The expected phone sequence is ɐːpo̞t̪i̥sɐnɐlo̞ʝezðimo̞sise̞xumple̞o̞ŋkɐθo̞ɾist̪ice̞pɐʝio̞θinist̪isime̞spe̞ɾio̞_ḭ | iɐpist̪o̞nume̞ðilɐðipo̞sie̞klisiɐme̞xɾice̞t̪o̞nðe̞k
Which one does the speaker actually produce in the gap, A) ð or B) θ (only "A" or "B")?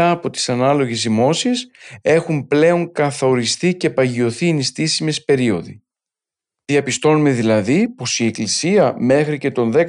A